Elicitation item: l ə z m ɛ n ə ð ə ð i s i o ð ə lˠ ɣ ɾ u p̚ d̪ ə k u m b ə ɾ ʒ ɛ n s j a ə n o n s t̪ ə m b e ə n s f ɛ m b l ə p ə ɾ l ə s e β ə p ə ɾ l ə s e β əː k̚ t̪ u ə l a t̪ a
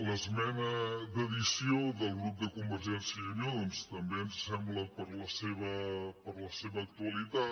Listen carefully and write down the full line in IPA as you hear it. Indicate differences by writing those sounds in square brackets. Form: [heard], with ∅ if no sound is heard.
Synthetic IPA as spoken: l ə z m ɛ n ə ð ə ð i s i o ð ə lˠ ɣ ɾ u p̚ d̪ ə k u m b ə ɾ ʒ ɛ n s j [ə] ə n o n s t̪ ə m b e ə n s [s] ɛ m b l ə p ə ɾ l ə s e β ə p ə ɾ l ə s e β əː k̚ t̪ u ə l [i] t̪ a